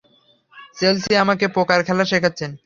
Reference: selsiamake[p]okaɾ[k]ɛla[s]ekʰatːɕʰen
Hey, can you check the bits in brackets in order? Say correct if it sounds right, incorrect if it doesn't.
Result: correct, incorrect: kʰ, incorrect: ʃ

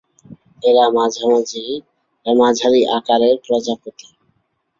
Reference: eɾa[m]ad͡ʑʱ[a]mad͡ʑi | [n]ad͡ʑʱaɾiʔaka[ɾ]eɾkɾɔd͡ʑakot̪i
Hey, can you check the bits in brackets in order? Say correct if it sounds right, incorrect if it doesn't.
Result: correct, correct, incorrect: m, correct

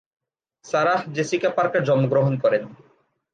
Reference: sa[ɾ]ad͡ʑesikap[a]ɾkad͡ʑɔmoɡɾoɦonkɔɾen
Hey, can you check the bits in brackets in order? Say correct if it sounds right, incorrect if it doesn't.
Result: correct, correct

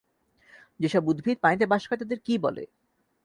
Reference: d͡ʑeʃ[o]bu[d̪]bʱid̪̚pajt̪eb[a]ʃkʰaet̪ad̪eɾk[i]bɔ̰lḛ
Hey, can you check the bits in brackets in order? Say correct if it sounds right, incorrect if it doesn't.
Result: incorrect: ɔ, correct, correct, correct

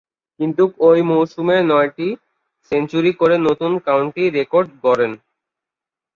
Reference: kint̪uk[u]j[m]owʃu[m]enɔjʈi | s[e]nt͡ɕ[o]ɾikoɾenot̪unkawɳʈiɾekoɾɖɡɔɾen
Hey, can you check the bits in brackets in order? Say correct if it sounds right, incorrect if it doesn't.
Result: incorrect: o, correct, correct, correct, incorrect: u

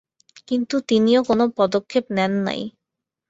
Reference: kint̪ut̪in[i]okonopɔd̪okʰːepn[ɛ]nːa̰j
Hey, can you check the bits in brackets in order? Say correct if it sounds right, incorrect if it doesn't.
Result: correct, correct

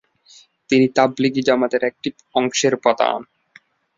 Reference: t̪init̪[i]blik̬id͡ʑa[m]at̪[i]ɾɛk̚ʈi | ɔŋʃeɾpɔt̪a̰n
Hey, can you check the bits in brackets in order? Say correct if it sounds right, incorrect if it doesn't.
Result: incorrect: a, correct, incorrect: e

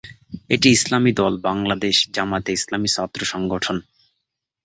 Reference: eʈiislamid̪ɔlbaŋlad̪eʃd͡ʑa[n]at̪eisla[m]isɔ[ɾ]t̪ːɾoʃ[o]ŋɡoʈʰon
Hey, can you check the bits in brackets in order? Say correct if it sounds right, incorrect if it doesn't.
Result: incorrect: m, correct, incorrect: none, incorrect: ɔ

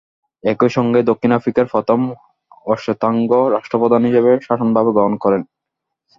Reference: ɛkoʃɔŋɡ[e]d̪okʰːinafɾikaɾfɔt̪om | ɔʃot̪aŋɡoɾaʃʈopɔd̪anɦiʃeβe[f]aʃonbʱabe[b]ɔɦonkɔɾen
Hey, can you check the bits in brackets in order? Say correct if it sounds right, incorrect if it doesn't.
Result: correct, incorrect: ʃ, incorrect: ɡ

